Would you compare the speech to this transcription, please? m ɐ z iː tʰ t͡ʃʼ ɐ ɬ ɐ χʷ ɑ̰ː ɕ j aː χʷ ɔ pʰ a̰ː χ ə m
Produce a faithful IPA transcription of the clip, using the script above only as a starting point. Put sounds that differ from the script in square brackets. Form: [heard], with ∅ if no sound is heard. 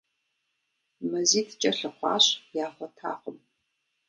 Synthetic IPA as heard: m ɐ z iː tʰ t͡ʃʼ ɐ ɬ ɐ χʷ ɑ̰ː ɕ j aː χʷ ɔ [tʰ] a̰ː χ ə m

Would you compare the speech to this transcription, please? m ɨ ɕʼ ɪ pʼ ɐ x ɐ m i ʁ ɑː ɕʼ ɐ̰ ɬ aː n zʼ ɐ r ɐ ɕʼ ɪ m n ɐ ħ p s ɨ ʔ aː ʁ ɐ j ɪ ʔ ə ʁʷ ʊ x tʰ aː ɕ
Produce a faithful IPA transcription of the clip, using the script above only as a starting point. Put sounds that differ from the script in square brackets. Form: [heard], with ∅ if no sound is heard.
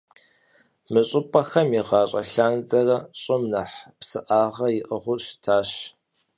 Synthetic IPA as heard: m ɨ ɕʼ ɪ pʼ ɐ x ɐ m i ʁ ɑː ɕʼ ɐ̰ ɬ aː n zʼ ɐ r ɐ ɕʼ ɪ m n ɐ ħ p s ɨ ʔ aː ʁ ɐ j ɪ ʔ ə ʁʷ ʊ [ɕ] tʰ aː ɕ

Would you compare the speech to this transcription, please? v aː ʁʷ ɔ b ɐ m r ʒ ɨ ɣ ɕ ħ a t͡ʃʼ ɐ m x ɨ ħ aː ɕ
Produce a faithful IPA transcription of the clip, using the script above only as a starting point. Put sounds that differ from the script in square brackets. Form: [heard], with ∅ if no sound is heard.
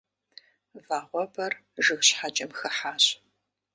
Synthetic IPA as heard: v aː ʁʷ ɔ b ɐ [∅] r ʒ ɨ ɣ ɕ ħ a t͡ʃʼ ɐ m x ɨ ħ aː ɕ

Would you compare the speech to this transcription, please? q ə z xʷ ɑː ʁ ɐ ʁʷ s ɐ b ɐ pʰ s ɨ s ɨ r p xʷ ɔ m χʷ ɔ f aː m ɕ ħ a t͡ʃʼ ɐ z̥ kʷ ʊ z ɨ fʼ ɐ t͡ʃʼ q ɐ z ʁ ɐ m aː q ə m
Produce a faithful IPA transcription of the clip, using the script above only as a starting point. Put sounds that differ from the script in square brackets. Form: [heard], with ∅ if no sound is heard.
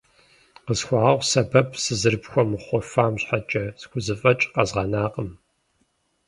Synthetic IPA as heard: q ə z xʷ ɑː ʁ ɐ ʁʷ s ɐ b ɐ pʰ s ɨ [z] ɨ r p xʷ ɔ m χʷ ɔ f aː m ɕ ħ a t͡ʃʼ ɐ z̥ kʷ ʊ z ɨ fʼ ɐ t͡ʃʼ q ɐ z ʁ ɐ [n] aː q ə m

